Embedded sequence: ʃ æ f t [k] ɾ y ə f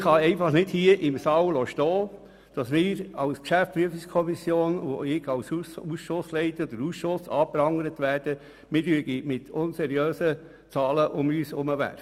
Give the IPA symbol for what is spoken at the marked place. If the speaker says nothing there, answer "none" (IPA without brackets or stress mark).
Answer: p